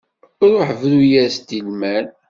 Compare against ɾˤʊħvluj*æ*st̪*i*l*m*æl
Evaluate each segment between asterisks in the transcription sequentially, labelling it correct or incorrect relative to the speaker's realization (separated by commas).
correct, correct, correct